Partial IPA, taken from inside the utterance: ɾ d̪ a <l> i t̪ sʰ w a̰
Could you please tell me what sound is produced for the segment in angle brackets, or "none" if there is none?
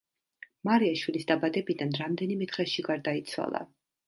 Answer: none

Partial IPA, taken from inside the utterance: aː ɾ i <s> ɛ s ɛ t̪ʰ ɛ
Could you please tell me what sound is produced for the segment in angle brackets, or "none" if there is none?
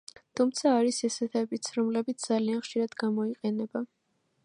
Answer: s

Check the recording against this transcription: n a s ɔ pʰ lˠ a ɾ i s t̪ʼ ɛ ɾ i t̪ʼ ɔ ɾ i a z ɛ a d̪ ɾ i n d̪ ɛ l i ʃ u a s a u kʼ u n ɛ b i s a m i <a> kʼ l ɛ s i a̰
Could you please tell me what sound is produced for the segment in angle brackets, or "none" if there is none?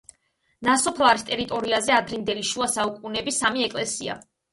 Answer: ɛ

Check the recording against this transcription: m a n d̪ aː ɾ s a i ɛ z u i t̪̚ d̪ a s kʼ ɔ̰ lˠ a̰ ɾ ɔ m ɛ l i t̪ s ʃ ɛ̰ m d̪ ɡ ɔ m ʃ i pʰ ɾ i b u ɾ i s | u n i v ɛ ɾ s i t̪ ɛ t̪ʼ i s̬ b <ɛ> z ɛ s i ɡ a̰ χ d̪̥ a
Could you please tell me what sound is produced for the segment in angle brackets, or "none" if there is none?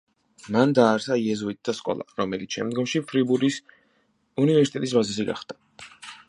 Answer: a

